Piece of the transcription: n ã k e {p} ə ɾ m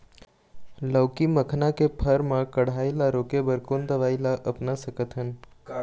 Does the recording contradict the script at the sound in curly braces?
yes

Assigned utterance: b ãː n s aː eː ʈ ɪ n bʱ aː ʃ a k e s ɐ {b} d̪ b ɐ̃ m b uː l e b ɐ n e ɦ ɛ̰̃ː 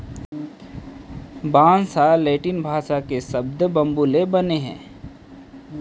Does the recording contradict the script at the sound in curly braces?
no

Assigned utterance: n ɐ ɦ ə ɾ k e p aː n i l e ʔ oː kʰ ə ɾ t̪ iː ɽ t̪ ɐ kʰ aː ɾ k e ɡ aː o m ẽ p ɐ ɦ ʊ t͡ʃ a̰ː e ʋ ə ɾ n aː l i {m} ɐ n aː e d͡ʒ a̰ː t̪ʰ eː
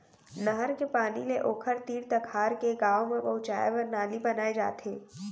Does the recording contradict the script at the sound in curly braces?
yes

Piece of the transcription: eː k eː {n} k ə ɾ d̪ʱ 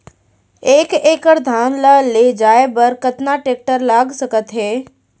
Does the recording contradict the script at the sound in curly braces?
yes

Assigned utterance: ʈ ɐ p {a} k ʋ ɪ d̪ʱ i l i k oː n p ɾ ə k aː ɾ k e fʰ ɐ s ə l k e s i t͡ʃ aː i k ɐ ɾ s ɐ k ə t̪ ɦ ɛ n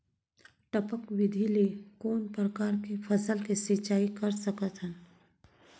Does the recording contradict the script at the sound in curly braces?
yes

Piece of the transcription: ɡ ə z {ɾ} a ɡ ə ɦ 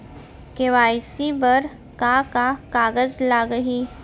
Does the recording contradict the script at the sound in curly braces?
yes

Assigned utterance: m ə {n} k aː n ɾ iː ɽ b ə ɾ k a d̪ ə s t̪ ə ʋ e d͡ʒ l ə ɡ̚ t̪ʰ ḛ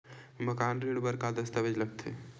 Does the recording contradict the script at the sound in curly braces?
yes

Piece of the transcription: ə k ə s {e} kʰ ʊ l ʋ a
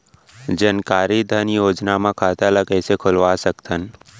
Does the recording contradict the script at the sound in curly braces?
no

